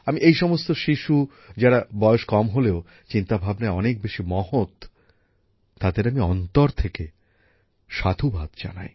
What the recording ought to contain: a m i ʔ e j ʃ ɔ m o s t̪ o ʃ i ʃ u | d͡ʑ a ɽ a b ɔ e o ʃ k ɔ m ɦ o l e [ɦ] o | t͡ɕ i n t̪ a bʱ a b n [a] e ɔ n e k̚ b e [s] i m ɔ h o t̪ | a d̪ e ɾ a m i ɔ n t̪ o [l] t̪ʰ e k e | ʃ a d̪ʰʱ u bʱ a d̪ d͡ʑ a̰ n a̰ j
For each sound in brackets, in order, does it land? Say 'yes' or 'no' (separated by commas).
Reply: no, yes, no, no